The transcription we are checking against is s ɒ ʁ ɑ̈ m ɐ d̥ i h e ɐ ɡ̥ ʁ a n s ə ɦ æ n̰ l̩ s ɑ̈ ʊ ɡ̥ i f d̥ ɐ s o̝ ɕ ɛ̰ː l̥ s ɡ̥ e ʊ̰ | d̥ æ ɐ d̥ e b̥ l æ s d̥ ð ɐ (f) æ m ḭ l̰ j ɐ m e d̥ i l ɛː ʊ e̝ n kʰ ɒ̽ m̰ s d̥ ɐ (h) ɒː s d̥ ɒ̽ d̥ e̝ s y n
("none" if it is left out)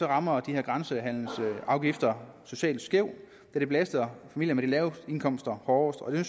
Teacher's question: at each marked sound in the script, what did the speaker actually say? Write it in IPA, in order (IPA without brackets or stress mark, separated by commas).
f, h